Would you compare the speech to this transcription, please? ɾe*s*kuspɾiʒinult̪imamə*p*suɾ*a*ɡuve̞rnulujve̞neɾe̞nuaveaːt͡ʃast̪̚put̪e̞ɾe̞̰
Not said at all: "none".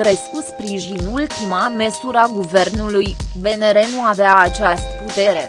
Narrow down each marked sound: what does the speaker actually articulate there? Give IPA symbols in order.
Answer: s, none, a

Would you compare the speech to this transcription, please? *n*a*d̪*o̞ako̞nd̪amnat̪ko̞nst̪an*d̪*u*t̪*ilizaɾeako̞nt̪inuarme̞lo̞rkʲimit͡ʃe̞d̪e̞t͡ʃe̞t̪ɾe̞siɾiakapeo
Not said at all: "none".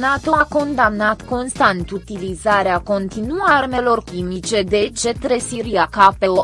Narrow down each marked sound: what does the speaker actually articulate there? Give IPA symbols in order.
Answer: n, t̪, t̪, t̪

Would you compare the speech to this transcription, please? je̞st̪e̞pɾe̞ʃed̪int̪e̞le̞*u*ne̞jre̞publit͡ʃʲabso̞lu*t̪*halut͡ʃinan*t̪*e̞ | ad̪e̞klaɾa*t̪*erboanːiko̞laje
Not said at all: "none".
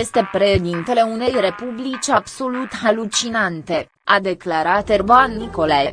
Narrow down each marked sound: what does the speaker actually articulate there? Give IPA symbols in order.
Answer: u, t̪, t̪, t̪

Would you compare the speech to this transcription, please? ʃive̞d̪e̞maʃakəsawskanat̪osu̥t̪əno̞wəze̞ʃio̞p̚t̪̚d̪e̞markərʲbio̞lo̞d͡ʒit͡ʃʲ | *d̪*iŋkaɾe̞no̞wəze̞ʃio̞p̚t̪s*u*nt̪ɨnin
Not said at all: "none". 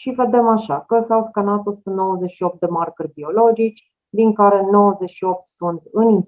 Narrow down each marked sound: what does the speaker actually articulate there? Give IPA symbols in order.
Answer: d̪, u

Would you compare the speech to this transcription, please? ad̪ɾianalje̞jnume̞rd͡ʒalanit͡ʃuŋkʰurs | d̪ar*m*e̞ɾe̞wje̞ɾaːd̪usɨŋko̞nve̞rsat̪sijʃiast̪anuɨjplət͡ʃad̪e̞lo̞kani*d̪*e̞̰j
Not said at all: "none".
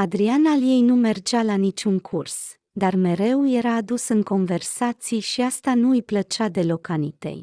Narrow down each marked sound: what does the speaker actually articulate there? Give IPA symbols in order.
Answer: m, t̪

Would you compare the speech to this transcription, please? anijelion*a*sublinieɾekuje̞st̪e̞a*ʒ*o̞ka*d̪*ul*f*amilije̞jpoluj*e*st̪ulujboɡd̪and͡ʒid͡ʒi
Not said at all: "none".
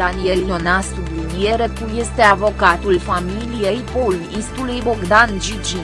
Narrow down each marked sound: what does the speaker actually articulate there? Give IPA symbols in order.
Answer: a, v, t̪, f, i

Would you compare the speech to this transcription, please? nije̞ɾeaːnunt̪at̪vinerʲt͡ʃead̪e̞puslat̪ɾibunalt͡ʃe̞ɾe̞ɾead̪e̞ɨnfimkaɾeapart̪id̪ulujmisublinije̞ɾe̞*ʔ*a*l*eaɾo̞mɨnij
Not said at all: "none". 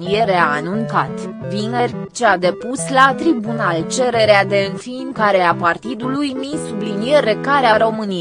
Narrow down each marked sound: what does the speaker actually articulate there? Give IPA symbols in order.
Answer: k, ɾ

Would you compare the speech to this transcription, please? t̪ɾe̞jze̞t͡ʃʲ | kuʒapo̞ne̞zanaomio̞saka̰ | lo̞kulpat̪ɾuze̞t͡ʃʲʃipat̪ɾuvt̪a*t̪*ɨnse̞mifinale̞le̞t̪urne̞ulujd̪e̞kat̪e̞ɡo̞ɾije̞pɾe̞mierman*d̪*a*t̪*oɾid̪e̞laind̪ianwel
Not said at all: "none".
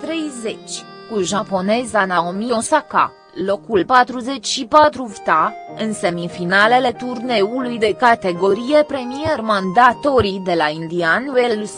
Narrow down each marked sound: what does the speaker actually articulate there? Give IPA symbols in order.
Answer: none, d̪, t̪

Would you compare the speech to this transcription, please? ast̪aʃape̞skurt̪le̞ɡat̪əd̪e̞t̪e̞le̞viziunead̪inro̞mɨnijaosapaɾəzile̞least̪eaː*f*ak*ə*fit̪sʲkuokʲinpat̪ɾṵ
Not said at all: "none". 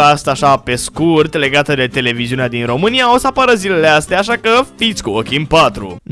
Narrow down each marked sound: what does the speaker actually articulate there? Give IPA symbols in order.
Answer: ʃ, ə

